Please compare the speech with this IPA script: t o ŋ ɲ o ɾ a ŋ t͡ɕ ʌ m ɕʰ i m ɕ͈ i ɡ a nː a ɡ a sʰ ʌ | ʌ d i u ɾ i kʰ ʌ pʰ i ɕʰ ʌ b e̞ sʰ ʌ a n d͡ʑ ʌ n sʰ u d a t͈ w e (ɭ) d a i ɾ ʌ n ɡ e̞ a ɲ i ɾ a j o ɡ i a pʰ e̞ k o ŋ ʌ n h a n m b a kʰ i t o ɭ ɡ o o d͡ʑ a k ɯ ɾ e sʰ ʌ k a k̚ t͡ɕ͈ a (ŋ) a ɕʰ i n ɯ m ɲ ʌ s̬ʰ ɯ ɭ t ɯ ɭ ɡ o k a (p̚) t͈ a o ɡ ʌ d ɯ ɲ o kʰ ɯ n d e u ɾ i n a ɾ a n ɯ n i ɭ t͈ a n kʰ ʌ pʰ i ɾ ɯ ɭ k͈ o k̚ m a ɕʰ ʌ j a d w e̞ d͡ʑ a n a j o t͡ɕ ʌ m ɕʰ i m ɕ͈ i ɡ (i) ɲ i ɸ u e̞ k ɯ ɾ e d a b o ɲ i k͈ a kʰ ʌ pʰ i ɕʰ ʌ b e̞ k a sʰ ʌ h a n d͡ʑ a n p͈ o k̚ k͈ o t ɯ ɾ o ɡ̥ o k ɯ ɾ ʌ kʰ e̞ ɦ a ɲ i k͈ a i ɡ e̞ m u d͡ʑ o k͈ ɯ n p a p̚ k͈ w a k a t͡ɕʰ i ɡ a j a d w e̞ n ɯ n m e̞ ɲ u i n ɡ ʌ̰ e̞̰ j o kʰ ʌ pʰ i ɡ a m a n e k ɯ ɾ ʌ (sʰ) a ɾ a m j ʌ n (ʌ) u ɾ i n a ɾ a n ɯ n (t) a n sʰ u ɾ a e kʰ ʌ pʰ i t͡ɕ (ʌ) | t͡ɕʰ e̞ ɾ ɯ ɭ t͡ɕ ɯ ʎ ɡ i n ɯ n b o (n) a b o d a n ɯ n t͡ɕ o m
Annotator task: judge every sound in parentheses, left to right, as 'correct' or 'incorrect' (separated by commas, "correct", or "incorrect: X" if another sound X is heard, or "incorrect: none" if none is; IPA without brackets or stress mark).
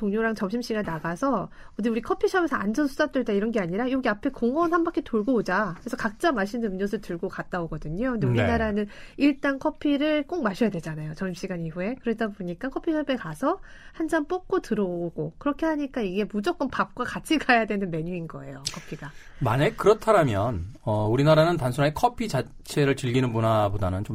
correct, incorrect: m, incorrect: t̚, incorrect: a, incorrect: tʰ, correct, correct, incorrect: a, correct